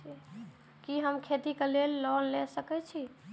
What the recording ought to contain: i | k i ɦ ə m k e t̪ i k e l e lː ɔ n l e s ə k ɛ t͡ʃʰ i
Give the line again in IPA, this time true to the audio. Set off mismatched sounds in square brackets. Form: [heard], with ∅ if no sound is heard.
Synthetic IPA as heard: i | k i ɦ ə m [kʰ] e t̪ i k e l e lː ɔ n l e s ə k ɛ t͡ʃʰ i